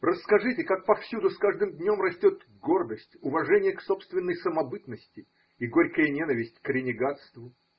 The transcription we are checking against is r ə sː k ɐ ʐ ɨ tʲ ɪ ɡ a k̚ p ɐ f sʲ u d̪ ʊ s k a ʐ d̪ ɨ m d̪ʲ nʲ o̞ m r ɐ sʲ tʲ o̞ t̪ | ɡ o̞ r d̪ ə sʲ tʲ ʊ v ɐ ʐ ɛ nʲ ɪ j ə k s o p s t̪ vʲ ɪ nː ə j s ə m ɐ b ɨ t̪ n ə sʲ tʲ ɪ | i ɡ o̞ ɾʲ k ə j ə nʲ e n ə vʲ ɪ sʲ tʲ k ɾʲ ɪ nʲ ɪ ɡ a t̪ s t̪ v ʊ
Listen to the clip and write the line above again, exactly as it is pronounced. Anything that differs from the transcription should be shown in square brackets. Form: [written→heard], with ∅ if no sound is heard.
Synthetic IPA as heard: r ə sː k ɐ ʐ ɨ tʲ ɪ [ɡ→k] a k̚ p ɐ f sʲ u d̪ ʊ s k a ʐ d̪ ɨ m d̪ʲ nʲ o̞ m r ɐ sʲ tʲ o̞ t̪ | ɡ o̞ r d̪ ə sʲ tʲ ʊ v ɐ ʐ ɛ nʲ ɪ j ə k s o p s t̪ vʲ ɪ nː ə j s ə m ɐ b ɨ t̪ n ə sʲ tʲ ɪ | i ɡ o̞ ɾʲ k ə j ə nʲ e n ə vʲ ɪ sʲ tʲ k ɾʲ ɪ nʲ ɪ ɡ a t̪ s t̪ v ʊ

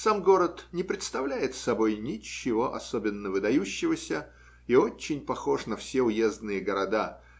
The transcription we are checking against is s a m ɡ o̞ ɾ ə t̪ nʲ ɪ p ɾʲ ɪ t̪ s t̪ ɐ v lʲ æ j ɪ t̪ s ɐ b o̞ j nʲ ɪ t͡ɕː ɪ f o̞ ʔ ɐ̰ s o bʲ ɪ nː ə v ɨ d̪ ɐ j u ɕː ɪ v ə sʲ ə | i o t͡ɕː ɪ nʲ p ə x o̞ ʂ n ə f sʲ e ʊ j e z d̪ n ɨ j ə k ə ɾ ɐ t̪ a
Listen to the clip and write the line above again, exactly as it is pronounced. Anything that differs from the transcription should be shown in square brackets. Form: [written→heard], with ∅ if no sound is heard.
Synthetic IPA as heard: s a m ɡ o̞ ɾ ə t̪ nʲ ɪ p ɾʲ ɪ t̪ s t̪ ɐ v lʲ æ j ɪ t̪ s ɐ b o̞ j nʲ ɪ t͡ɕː ɪ [f→v] o̞ ʔ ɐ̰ s o bʲ ɪ nː ə v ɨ d̪ ɐ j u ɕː ɪ v ə sʲ ə | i o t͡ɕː ɪ nʲ p [ə→ɐ] x o̞ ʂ n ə f sʲ e ʊ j e z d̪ n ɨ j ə [k→ɡ] ə ɾ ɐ [t̪→d̪] a

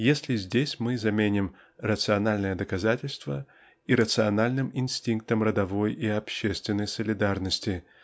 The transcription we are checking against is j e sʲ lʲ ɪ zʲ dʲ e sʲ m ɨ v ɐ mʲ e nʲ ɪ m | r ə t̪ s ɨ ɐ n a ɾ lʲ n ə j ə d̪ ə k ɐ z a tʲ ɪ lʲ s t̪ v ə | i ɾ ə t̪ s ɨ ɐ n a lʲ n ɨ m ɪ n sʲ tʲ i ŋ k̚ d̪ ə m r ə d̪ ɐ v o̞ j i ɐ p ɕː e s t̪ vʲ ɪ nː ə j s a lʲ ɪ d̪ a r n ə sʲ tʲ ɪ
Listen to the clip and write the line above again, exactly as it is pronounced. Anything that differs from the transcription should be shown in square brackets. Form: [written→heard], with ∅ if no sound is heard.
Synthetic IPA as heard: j e sʲ lʲ ɪ zʲ dʲ e sʲ m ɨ [v→z] ɐ mʲ e nʲ ɪ m | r ə t̪ s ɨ ɐ n a [ɾ→∅] lʲ n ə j ə d̪ ə k ɐ z a tʲ ɪ lʲ s t̪ v ə | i ɾ ə t̪ s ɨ ɐ n a lʲ n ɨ m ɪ n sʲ tʲ i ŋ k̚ [d̪→t̪] ə m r ə d̪ ɐ v o̞ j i ɐ p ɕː e s t̪ vʲ ɪ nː ə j s [a→ə] lʲ ɪ d̪ a r n ə sʲ tʲ ɪ

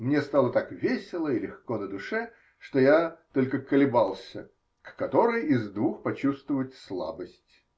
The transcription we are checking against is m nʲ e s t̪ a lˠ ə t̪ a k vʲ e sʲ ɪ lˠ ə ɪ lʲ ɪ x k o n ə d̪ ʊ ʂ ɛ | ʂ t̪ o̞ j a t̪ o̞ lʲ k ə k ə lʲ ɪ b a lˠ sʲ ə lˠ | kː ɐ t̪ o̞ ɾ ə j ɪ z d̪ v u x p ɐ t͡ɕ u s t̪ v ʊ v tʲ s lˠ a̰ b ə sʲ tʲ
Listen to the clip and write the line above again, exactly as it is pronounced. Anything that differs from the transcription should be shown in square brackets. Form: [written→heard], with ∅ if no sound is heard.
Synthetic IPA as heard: m nʲ e s t̪ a lˠ ə t̪ a k vʲ e sʲ ɪ lˠ ə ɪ lʲ ɪ x k o n ə d̪ ʊ ʂ ɛ | ʂ t̪ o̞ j a t̪ o̞ lʲ k ə k ə lʲ ɪ b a lˠ sʲ ə [lˠ→∅] | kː ɐ t̪ o̞ ɾ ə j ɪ z d̪ v u x p ɐ t͡ɕ u s t̪ v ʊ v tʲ s lˠ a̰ b ə sʲ tʲ

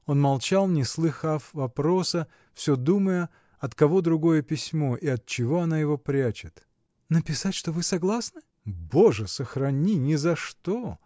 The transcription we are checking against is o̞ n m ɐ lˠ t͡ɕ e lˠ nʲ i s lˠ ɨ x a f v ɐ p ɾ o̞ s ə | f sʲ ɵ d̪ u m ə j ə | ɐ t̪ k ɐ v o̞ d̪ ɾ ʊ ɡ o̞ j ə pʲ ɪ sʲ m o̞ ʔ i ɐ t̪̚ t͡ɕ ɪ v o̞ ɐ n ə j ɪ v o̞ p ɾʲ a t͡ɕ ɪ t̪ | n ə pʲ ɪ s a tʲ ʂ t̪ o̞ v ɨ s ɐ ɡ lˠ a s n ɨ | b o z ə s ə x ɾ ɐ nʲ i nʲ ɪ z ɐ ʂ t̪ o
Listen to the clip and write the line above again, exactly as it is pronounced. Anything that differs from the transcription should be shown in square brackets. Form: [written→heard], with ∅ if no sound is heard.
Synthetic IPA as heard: o̞ n m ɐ lˠ t͡ɕ [e→a] lˠ nʲ [i→ɪ] s lˠ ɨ x a f v ɐ p ɾ o̞ s ə | f sʲ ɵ d̪ u m ə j ə | ɐ t̪ k ɐ v o̞ d̪ ɾ ʊ ɡ o̞ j ə pʲ ɪ sʲ m o̞ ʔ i ɐ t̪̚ t͡ɕ ɪ v o̞ ɐ n [ə→a] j ɪ v o̞ p ɾʲ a t͡ɕ ɪ t̪ | n ə pʲ ɪ s a tʲ ʂ t̪ o̞ v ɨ s ɐ ɡ lˠ a s n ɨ | b o [z→ʐ] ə s ə x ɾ ɐ nʲ i nʲ ɪ z ɐ ʂ t̪ o

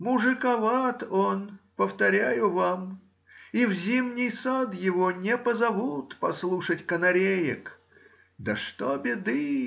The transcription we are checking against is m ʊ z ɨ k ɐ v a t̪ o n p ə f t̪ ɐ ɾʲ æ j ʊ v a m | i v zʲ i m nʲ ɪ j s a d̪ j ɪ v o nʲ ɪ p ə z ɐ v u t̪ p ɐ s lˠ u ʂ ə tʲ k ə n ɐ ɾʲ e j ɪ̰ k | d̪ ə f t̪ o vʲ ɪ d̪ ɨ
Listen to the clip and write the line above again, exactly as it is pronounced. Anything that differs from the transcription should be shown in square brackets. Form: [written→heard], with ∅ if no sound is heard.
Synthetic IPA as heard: m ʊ [z→ʐ] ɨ k ɐ v a t̪ o n p ə f t̪ ɐ ɾʲ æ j ʊ v a m | i v zʲ i m nʲ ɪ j s a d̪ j ɪ v o nʲ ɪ p ə z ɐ v u t̪ p ɐ s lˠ u ʂ ə tʲ k ə n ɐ ɾʲ e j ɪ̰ k | d̪ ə [f→ʂ] t̪ o [vʲ→bʲ] ɪ d̪ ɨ

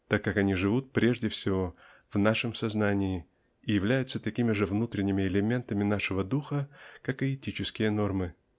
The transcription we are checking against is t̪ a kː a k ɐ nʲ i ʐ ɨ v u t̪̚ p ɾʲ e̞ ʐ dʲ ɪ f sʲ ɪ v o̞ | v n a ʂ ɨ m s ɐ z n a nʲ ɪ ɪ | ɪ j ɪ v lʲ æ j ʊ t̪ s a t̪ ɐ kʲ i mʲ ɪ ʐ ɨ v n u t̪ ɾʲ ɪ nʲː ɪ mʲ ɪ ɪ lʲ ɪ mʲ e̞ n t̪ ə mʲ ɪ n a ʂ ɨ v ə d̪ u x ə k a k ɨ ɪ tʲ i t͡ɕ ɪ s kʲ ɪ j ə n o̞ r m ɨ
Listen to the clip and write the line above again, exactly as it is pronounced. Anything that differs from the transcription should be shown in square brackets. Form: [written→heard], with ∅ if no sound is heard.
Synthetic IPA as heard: t̪ a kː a k ɐ nʲ i ʐ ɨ v u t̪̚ p ɾʲ e̞ ʐ dʲ ɪ f sʲ ɪ v o̞ | v n a ʂ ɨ m s ɐ z n a nʲ ɪ ɪ | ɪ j ɪ v lʲ æ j ʊ t̪ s [a→ə] t̪ ɐ kʲ i mʲ ɪ ʐ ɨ v n u t̪ ɾʲ ɪ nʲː ɪ mʲ ɪ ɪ lʲ ɪ mʲ e̞ n t̪ ə mʲ ɪ n a ʂ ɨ v ə d̪ u x ə k a k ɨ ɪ tʲ i t͡ɕ ɪ s kʲ ɪ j ə n o̞ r m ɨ

